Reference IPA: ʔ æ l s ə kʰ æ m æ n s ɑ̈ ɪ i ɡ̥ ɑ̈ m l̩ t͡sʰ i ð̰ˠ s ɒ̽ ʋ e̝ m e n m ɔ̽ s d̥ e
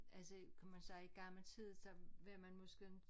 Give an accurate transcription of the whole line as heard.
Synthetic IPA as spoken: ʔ æ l s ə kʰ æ m æ n s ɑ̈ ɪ i ɡ̥ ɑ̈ m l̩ t͡sʰ i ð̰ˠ s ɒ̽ ʋ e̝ m æ n m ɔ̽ s ɡ̥ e